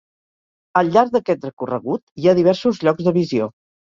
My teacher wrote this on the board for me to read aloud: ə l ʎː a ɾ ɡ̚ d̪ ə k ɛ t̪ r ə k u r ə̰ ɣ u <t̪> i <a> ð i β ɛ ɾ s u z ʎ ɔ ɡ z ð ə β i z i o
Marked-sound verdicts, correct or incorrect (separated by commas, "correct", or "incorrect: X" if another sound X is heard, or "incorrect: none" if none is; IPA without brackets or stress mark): correct, correct